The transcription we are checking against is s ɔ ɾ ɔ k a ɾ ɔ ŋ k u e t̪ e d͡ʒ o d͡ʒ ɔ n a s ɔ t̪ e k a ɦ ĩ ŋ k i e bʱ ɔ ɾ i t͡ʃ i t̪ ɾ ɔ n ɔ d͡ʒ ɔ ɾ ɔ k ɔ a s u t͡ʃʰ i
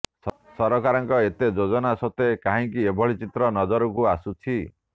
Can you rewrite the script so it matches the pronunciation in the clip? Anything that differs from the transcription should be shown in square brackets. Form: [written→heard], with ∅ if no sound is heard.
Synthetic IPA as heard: s ɔ ɾ ɔ k a ɾ ɔ ŋ k [u→ɔ] e t̪ e d͡ʒ o d͡ʒ ɔ n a s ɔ t̪ e k a ɦ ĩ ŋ k i e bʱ ɔ [ɾ→ɭ] i t͡ʃ i t̪ ɾ ɔ n ɔ d͡ʒ ɔ ɾ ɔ k [ɔ→u] a s u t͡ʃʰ i